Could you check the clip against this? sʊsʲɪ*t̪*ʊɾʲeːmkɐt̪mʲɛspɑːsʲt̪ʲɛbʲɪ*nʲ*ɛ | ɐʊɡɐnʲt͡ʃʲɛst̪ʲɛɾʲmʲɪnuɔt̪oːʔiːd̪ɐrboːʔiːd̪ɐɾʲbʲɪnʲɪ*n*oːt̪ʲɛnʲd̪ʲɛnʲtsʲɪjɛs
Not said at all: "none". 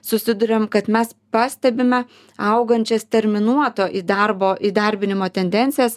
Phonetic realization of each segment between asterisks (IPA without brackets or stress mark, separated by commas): d̪, mʲ, m